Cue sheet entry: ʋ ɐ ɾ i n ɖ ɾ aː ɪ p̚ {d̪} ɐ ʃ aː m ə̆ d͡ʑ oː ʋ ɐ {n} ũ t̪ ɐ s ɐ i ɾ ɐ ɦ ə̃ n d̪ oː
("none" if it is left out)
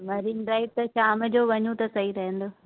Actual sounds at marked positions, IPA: t̪, ɲ

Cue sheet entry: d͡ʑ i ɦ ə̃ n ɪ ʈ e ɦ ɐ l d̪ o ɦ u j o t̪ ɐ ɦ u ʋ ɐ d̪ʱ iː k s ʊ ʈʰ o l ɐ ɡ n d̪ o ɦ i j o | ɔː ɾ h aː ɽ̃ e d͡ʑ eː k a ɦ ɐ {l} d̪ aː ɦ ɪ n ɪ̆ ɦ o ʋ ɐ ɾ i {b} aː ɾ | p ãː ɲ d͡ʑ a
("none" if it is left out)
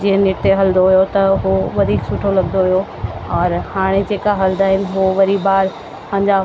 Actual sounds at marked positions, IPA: l, b

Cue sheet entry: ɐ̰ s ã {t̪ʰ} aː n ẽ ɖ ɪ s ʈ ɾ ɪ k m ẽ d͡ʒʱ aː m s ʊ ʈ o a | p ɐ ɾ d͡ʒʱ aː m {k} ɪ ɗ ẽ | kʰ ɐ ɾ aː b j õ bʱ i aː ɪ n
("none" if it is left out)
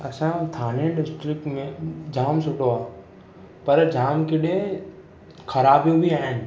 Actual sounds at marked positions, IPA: t̪ʰ, k

